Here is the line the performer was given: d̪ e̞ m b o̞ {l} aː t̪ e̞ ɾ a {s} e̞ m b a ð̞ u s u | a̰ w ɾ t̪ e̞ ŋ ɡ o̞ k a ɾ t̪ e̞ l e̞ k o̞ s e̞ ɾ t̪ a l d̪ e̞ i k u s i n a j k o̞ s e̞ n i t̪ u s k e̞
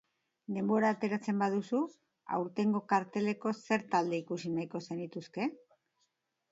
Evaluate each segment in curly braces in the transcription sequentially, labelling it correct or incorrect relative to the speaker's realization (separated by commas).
incorrect, incorrect